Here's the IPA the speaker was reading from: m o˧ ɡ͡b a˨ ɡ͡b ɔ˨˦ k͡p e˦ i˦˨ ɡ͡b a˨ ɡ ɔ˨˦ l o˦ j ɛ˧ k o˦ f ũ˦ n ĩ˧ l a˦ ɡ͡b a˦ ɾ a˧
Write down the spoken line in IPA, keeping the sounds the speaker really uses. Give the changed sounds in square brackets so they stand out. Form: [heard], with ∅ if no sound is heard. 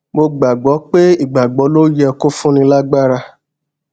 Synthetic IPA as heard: m o˧ ɡ͡b a˨ ɡ͡b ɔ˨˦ k͡p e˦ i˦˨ ɡ͡b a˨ [ɡ͡b] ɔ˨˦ l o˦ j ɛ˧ k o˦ f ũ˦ n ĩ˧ l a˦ ɡ͡b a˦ ɾ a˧